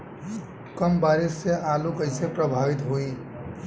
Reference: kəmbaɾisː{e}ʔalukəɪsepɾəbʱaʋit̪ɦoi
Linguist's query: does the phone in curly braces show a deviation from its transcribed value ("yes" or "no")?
no